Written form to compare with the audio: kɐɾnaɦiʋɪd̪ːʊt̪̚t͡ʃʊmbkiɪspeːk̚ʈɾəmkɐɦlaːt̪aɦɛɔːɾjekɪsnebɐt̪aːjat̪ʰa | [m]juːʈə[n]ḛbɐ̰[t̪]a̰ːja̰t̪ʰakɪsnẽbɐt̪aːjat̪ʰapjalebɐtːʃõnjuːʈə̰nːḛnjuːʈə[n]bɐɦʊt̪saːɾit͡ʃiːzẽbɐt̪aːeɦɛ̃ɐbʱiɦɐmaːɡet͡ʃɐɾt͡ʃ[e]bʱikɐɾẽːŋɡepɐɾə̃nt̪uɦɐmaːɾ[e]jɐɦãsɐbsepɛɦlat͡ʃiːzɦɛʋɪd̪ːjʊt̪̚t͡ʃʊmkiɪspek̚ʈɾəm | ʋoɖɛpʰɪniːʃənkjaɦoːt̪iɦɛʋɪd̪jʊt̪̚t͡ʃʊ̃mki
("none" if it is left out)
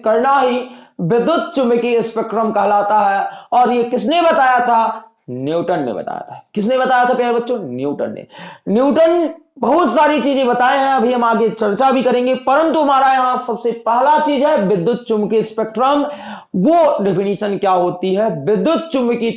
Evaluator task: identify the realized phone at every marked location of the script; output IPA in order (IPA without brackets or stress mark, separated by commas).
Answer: n, nː, t̪, n, a, a